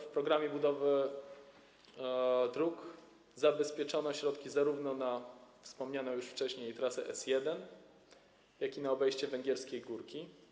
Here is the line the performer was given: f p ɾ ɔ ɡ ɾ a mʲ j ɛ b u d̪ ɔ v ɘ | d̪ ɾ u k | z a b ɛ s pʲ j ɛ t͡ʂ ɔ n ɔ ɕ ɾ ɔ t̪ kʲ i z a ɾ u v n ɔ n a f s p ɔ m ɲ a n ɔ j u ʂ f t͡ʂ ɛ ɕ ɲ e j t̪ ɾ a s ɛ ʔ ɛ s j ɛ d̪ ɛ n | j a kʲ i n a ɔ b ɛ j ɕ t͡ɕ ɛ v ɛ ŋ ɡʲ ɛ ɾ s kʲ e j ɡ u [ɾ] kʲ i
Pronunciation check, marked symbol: correct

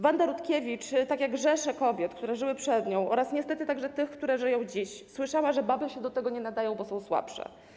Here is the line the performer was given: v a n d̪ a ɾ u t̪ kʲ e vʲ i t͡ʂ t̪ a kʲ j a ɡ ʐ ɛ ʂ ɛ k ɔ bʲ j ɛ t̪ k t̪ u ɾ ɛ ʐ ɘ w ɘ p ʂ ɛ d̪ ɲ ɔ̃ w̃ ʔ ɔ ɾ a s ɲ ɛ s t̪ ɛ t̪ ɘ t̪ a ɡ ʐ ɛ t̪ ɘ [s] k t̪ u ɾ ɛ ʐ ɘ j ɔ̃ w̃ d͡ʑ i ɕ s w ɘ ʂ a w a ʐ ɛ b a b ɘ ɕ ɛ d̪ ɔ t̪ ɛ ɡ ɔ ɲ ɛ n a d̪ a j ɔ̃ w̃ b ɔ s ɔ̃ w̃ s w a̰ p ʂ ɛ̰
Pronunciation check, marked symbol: incorrect: x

